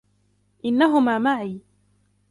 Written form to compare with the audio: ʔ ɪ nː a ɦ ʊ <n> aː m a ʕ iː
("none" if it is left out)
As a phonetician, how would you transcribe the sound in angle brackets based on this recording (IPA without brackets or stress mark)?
m